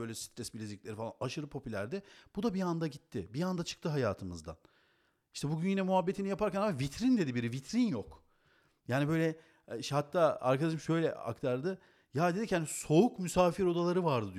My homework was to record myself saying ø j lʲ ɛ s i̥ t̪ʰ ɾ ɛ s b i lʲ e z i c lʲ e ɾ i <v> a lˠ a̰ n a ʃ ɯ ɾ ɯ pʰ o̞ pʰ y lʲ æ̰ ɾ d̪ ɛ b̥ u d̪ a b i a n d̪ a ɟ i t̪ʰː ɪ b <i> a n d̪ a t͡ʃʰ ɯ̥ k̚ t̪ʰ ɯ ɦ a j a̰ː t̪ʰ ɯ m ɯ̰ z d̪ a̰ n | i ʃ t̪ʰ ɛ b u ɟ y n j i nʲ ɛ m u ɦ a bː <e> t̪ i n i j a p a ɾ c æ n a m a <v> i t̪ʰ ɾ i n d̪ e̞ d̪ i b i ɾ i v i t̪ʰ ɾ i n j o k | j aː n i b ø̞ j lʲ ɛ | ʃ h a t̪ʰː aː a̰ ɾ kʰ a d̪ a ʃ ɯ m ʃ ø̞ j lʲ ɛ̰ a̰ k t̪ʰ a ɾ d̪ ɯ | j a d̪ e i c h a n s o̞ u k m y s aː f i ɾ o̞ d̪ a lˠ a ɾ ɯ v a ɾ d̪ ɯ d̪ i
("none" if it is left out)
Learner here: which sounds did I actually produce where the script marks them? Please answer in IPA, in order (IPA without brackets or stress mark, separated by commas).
f, i, e, v